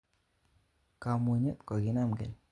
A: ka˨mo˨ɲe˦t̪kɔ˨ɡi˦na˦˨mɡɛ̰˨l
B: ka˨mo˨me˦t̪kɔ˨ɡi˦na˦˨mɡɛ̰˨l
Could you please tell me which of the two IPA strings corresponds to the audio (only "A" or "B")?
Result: A